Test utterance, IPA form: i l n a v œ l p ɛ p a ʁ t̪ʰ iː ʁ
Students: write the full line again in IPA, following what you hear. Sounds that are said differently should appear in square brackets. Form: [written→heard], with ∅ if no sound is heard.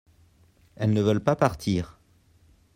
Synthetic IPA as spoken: [i→ɛ] l n [a→ə] v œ l p [ɛ→a] p a ʁ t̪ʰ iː ʁ